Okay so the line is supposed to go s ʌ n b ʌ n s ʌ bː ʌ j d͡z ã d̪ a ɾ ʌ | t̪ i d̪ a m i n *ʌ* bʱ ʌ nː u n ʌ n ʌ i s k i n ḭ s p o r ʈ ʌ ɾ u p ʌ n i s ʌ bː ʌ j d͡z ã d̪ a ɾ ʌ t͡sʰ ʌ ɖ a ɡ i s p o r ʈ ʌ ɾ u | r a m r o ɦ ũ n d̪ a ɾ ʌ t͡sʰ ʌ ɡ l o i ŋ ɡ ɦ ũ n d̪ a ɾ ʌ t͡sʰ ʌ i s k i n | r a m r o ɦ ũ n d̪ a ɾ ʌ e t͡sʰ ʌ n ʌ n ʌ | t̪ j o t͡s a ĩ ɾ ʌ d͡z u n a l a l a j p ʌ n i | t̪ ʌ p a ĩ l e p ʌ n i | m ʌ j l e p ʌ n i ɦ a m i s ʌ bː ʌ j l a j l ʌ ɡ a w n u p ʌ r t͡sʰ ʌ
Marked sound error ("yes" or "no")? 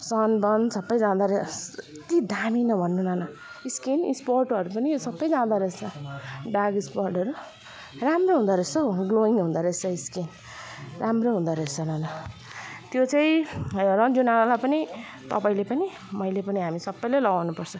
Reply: no